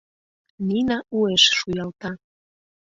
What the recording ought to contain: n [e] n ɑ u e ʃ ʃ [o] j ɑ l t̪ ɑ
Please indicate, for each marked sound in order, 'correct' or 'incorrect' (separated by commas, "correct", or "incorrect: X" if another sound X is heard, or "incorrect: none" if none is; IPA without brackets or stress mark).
incorrect: i, incorrect: u